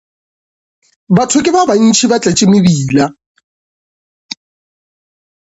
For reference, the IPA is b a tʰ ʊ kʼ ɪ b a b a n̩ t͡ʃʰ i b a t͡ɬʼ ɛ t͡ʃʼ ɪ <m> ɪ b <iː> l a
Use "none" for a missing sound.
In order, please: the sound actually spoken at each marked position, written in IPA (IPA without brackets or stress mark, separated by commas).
m, iː